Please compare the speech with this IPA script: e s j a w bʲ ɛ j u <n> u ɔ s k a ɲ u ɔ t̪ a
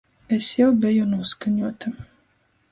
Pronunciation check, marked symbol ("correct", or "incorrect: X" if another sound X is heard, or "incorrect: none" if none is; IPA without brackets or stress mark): correct